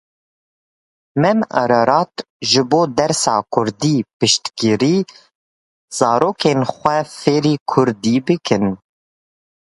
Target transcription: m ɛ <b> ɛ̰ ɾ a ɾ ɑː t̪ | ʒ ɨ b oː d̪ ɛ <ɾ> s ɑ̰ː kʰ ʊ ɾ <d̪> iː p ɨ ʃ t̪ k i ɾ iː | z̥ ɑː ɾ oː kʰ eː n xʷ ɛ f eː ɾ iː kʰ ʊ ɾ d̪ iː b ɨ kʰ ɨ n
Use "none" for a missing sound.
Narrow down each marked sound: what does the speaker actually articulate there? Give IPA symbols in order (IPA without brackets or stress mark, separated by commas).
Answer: m, ɾ, d̪